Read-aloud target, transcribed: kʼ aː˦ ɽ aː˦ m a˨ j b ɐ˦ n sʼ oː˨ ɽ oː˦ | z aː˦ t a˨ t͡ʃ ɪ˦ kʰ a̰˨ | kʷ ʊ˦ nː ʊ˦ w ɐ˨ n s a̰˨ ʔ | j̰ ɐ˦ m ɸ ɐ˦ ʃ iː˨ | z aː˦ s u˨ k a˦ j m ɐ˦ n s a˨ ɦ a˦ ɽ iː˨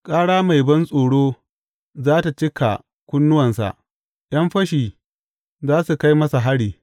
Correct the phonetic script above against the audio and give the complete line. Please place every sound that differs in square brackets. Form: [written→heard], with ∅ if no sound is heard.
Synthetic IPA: kʼ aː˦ ɽ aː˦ m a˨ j b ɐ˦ n sʼ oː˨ ɽ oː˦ | z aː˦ t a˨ t͡ʃ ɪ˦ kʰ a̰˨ | kʷ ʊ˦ nː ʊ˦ w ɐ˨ n s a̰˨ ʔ | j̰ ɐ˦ m ɸ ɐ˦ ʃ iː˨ | z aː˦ s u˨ k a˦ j m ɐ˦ [n→∅] s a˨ ɦ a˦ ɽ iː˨